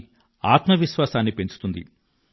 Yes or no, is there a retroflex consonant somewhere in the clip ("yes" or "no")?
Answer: no